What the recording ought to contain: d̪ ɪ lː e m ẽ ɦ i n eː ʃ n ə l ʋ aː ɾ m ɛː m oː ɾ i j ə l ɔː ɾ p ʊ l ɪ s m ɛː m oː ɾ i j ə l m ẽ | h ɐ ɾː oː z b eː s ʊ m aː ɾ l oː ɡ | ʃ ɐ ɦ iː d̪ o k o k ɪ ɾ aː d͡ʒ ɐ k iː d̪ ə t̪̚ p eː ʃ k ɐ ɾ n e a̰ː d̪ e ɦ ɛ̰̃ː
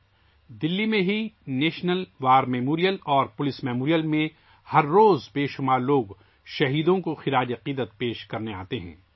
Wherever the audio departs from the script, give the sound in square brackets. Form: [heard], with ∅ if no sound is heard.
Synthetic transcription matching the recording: d̪ ɪ lː [i] m ẽ ɦ i n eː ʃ n ə l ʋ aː ɾ m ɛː m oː ɾ i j ə l ɔː ɾ p ʊ l ɪ s m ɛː m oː ɾ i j ə l m ẽ | h ɐ ɾː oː z b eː [ʃ] ʊ m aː ɾ l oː ɡ | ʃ ɐ ɦ iː d̪ [õ] k o [x] ɪ ɾ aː d͡ʒ ɐ [q] iː d̪ ə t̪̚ p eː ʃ k ɐ ɾ n e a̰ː [t̪] e ɦ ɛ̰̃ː